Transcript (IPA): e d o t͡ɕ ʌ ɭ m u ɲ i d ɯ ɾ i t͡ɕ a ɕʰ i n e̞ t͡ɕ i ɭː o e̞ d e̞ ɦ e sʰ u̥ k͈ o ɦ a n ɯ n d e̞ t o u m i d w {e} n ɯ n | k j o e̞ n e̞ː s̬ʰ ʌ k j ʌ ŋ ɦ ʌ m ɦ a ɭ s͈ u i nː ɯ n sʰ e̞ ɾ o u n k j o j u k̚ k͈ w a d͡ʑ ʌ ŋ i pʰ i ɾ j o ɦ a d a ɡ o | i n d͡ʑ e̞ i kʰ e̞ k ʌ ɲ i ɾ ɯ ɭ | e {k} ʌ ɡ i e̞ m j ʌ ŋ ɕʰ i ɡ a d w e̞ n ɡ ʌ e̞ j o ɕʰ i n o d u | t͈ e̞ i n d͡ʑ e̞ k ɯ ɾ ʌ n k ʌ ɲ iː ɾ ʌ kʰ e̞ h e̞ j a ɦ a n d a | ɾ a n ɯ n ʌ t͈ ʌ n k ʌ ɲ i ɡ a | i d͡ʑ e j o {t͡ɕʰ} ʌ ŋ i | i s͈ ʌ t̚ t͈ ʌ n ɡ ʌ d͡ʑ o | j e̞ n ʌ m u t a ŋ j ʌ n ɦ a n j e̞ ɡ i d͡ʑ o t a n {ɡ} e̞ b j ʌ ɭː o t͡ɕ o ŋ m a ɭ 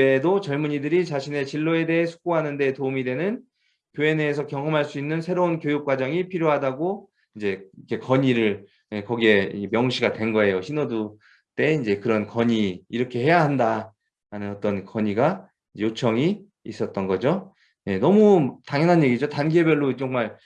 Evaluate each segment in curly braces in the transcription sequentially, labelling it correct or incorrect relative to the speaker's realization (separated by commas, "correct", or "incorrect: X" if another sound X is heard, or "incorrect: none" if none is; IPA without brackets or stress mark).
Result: correct, correct, correct, correct